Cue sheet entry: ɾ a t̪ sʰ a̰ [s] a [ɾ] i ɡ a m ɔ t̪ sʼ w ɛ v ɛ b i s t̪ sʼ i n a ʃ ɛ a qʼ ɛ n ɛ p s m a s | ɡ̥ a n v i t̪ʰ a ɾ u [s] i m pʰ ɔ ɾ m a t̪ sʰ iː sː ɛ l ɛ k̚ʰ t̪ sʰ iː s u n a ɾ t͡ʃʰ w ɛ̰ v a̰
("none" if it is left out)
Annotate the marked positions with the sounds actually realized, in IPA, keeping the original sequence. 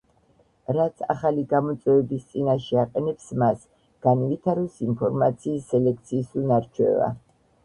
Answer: χ, l, s

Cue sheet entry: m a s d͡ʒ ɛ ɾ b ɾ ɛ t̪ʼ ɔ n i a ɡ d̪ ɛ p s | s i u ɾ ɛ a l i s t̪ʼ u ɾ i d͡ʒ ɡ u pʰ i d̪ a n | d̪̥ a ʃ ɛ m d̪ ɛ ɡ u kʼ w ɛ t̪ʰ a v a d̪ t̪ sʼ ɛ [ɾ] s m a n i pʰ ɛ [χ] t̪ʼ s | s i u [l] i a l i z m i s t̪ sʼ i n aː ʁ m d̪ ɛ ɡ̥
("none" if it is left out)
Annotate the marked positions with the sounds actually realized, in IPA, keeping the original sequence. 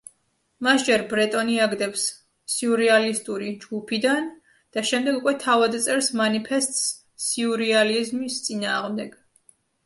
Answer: ɾ, s, ɾ

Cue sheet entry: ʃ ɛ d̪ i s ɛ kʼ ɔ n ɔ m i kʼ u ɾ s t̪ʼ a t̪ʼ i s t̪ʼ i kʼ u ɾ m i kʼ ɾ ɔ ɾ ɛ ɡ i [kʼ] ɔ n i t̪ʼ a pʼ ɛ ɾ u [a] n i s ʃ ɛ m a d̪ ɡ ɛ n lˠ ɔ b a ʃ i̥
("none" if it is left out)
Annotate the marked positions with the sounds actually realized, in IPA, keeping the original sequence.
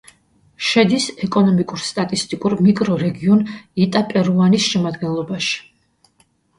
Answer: none, a

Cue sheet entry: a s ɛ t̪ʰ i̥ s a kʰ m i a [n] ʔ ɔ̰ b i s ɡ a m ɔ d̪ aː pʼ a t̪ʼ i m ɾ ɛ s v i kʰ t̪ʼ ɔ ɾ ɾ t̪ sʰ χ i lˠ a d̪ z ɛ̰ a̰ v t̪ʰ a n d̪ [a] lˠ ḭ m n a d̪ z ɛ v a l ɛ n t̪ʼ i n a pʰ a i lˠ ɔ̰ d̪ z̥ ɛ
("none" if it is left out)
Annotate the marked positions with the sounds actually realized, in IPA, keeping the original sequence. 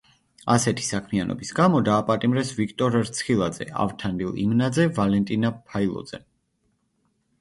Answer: n, i

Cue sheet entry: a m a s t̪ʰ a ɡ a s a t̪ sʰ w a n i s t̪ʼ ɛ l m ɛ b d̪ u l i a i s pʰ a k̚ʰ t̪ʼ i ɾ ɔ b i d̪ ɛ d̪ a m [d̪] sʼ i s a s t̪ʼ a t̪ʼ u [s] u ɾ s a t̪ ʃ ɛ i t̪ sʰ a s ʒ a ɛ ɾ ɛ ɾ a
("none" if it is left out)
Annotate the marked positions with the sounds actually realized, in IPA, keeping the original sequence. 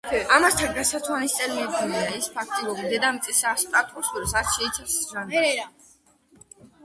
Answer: t̪, s

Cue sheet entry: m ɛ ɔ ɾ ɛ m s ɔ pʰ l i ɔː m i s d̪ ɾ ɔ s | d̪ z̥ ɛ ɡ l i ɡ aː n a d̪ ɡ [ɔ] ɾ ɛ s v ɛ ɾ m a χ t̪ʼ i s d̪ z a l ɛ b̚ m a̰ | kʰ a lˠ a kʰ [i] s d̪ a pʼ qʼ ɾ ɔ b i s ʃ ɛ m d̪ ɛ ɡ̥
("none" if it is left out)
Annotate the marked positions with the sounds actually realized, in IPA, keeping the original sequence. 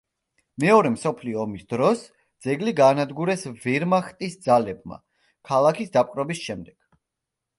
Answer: u, i

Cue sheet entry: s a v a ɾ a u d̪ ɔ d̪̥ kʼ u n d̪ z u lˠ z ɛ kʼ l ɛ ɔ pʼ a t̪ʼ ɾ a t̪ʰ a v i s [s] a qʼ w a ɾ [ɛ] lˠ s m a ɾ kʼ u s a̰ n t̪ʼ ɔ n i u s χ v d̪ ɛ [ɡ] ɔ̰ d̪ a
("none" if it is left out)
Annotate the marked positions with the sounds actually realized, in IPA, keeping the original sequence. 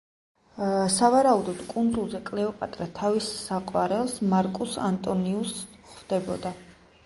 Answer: s, ɛ, b

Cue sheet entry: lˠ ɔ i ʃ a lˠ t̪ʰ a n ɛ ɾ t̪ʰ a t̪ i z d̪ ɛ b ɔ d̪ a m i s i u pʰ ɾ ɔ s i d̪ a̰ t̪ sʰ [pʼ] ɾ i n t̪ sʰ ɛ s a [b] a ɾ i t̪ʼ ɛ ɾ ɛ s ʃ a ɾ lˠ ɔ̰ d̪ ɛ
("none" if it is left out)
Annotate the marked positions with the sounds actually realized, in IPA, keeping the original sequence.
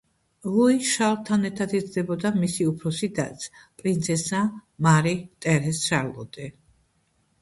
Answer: pʼ, m

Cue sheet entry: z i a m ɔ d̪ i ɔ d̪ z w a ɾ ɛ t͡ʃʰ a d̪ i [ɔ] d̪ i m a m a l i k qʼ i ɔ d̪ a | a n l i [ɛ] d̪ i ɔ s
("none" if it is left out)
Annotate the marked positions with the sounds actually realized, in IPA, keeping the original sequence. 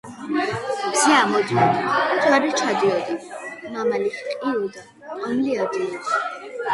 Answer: ɔ, a

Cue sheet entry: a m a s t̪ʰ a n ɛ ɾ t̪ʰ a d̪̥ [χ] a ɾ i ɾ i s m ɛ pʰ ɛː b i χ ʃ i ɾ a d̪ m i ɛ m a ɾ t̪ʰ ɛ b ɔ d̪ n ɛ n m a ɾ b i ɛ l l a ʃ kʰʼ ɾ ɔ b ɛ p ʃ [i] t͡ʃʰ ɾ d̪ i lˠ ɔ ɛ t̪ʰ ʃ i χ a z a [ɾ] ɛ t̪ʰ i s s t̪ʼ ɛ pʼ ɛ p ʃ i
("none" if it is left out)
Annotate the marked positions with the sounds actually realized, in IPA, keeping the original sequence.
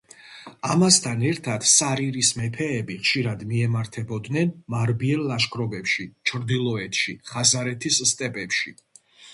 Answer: s, i, ɾ

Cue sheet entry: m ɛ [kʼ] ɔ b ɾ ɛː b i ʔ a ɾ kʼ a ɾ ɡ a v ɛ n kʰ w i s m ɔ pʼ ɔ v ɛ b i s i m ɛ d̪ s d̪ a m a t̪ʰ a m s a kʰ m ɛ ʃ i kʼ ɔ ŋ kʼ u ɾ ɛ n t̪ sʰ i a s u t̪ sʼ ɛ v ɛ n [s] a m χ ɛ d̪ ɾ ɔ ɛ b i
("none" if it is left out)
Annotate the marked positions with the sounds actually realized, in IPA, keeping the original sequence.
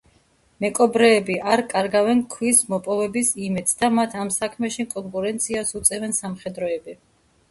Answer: kʼ, s

